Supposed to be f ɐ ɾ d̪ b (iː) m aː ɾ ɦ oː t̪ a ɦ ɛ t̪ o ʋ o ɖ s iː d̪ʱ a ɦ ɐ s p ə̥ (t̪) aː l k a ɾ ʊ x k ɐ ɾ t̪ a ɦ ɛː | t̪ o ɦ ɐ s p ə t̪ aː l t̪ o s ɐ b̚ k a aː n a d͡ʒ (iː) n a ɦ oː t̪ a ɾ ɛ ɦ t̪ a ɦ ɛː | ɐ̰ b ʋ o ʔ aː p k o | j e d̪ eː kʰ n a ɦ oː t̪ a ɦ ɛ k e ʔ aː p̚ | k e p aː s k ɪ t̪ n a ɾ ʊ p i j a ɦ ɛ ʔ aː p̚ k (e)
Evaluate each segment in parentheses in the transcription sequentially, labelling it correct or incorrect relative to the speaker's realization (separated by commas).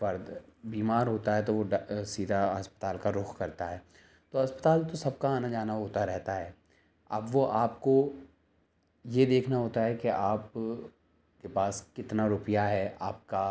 correct, correct, incorrect, incorrect